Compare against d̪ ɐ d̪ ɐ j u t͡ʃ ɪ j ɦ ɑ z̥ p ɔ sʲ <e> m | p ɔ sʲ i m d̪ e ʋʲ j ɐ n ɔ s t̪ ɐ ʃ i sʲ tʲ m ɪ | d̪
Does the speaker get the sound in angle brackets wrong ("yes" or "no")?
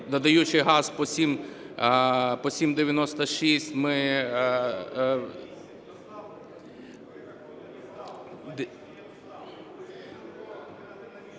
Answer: yes